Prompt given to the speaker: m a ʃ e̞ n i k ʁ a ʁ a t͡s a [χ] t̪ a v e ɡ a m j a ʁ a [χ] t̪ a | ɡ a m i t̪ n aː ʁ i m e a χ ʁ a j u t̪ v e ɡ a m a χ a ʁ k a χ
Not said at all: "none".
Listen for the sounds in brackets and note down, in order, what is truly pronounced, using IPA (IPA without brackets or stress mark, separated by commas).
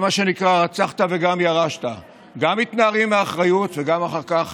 χ, ʃ